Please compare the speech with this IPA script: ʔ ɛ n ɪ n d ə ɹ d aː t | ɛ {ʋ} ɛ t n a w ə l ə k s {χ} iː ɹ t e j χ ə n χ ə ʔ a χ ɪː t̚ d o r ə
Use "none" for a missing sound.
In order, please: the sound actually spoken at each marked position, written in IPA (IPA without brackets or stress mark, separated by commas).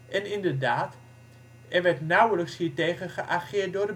ʋ, h